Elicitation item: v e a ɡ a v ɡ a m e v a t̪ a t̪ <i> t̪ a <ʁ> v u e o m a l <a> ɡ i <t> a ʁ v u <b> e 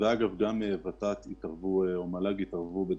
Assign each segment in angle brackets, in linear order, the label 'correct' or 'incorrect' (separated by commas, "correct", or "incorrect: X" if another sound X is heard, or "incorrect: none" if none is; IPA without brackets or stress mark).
correct, correct, correct, correct, correct